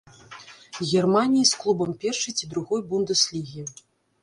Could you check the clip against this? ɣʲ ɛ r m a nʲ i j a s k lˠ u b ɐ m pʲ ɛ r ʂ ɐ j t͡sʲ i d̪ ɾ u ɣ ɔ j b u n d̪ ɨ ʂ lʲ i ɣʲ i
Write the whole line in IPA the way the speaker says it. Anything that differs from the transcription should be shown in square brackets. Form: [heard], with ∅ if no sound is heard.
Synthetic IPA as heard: ɣʲ ɛ r m a nʲ i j [i] s k lˠ u b ɐ m pʲ ɛ r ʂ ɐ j t͡sʲ i d̪ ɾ u ɣ ɔ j b u n d̪ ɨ [s] lʲ i ɣʲ i